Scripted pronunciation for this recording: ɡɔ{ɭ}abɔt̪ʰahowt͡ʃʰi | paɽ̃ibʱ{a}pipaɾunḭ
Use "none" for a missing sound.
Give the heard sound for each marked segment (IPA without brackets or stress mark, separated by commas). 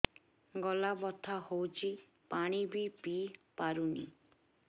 l, i